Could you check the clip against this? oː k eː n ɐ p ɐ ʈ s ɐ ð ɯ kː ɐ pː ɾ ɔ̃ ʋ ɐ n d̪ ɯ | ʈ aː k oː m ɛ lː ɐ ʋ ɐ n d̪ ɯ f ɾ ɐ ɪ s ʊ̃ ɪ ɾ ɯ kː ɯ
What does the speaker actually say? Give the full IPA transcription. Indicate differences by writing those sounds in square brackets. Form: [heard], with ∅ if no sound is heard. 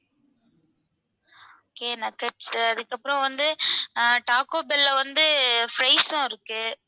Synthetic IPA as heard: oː k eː n ɐ [k] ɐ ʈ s ɐ ð ɯ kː ɐ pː ɾ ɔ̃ ʋ ɐ n d̪ ɯ | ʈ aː k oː [b] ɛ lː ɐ ʋ ɐ n d̪ ɯ f ɾ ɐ ɪ s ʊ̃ ɪ ɾ ɯ kː ɯ